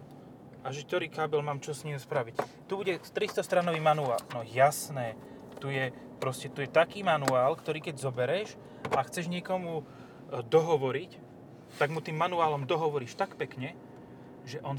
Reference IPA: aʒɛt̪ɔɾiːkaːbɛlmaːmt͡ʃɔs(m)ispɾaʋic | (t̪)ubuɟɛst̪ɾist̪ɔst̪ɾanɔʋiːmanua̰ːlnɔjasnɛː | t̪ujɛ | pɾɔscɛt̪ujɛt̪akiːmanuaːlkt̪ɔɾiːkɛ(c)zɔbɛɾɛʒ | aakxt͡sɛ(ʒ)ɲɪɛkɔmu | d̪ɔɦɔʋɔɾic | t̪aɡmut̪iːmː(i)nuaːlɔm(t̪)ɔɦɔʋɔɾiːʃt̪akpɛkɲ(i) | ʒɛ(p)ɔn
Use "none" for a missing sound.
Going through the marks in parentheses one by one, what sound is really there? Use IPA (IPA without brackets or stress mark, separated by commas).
ɲ, t̪, ɟ, ʒ, a, d̪, ɛ, ʔ